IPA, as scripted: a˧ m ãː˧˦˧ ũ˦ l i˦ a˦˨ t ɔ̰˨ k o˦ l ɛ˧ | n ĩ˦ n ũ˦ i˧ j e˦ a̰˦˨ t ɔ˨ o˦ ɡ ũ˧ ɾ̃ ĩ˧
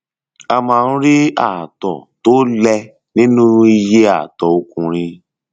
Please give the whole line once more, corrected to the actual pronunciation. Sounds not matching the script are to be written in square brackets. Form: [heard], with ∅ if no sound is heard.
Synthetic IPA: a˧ m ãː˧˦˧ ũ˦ [ɾ] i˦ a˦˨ t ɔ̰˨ [t] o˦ l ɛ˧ | n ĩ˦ n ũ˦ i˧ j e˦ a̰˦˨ t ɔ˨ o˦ [k] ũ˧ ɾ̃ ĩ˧